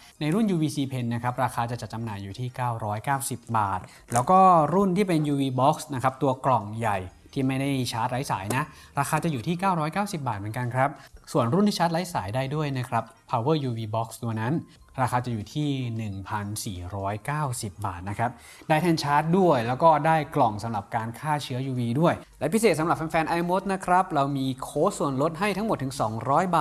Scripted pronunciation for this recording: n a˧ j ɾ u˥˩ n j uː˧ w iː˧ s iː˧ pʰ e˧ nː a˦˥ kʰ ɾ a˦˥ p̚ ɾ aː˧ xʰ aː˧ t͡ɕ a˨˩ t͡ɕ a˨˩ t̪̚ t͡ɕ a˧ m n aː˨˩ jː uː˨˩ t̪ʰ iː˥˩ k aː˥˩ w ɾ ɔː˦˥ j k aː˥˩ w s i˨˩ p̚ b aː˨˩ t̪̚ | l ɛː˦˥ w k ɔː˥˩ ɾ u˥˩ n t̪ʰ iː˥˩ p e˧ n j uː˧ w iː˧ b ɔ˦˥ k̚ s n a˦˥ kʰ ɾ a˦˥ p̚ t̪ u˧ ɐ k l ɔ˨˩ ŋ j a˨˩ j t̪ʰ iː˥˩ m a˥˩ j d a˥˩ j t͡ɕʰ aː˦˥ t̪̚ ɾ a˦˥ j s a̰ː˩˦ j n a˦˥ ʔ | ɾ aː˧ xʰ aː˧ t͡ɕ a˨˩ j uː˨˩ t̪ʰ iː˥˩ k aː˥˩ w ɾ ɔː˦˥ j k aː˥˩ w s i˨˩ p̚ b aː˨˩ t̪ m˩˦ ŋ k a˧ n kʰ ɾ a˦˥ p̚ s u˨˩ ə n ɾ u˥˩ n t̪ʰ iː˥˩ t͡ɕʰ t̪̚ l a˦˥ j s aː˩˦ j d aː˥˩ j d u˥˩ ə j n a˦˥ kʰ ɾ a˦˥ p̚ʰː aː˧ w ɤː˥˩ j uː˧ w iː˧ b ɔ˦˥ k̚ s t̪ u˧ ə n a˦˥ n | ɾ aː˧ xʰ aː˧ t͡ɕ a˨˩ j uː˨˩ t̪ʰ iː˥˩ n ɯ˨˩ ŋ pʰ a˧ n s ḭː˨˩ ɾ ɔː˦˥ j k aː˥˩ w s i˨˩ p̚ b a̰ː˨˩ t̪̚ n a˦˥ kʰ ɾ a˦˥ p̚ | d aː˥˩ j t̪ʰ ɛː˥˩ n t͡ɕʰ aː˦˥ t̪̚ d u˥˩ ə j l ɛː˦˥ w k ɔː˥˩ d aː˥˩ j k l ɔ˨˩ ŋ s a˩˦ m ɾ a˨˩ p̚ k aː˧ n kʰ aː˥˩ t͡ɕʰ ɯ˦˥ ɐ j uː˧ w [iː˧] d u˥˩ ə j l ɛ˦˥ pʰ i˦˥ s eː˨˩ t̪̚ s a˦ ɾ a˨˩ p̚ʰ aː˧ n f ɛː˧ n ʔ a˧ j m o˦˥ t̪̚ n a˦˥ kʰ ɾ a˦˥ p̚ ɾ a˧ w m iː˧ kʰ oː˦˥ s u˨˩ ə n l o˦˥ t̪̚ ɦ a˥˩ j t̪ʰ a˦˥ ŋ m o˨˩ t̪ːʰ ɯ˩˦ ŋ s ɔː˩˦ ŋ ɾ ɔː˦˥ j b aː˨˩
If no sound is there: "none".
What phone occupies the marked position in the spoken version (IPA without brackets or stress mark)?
iː˧